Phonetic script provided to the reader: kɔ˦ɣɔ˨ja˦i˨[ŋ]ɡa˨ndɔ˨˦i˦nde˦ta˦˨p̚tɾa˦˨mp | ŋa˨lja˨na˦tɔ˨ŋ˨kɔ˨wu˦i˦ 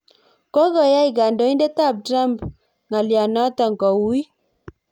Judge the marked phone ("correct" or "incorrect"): incorrect